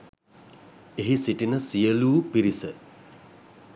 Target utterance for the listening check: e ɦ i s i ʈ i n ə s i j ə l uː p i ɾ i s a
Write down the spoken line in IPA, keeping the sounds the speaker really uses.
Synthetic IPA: e ɦ i s i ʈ i n ə s i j ə l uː p i ɾ i s ə